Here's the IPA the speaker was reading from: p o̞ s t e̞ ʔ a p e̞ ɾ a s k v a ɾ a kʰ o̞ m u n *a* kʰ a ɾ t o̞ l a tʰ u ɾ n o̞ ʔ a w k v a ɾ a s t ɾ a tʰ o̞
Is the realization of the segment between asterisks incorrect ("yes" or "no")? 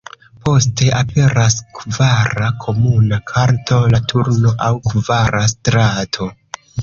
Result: no